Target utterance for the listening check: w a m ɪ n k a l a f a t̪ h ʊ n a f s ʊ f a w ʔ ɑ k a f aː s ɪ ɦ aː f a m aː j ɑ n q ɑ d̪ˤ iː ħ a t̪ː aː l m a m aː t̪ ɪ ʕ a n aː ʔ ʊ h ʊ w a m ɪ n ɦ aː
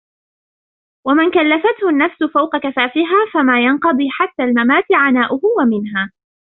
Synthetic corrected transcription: w a m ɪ n k a lː a f a t̪ h ʊ nː a f s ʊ f a w q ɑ k a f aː f ɪ ɦ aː f a m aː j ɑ n q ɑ d̪ˤ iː ħ a t̪ː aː l m a m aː t̪ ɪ ʕ a n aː ʔ ʊ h ʊ w a m ɪ n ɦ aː